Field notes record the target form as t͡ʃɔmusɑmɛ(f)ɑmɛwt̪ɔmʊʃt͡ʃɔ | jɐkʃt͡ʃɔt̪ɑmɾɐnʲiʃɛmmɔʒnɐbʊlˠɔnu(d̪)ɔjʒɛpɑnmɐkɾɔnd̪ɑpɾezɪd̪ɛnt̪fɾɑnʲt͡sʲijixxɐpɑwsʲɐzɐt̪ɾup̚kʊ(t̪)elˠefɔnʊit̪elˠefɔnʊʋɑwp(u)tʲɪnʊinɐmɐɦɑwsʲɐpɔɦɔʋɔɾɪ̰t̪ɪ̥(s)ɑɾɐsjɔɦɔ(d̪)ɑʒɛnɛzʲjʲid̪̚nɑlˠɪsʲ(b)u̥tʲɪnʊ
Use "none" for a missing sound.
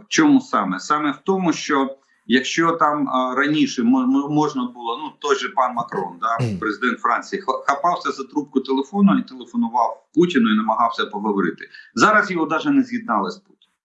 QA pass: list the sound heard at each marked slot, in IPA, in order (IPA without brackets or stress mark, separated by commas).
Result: s, t̪, t̪, u, z, d̪, p